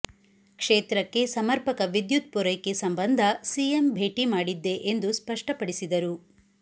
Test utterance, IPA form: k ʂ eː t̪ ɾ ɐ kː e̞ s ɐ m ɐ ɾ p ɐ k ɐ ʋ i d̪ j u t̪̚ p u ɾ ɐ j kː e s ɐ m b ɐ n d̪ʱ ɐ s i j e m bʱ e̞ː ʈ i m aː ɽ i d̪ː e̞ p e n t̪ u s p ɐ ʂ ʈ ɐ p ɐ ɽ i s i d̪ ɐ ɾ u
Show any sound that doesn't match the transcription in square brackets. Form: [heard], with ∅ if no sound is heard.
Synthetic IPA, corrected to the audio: k ʂ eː t̪ ɾ ɐ kː e̞ s ɐ m ɐ ɾ p ɐ k ɐ ʋ i d̪ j u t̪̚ p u ɾ ɐ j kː e s ɐ m b ɐ n d̪ʱ ɐ s i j e m bʱ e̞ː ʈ i m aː ɽ i d̪ː e̞ [ʔ] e n [d̪] u s p ɐ ʂ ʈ ɐ p ɐ ɽ i s i d̪ ɐ ɾ u